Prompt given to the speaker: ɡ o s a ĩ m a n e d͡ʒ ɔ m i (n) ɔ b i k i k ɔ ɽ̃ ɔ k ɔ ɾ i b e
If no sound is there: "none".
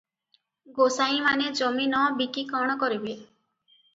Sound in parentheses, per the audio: n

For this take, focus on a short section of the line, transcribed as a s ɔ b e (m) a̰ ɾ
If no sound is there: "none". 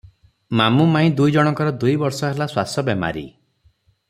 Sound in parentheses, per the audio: m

